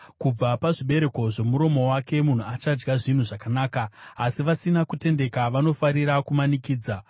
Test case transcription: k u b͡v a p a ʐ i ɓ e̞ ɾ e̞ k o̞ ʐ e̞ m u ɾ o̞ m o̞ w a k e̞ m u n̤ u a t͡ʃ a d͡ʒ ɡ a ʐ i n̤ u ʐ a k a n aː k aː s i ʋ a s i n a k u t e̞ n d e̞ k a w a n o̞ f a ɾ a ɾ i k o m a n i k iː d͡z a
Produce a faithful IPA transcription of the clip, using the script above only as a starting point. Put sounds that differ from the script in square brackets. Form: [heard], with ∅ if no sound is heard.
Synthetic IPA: k u b͡v a p a ʐ i ɓ e̞ ɾ e̞ k o̞ ʐ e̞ m u ɾ o̞ m o̞ w a k e̞ m u n̤ u a t͡ʃ a d͡ʒ ɡ a ʐ i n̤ u ʐ a k a n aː k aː s i ʋ a s i n a k u t e̞ n d e̞ k a [ʋ] a n o̞ f a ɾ [i] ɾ [a] k [u] m a n i k iː d͡z a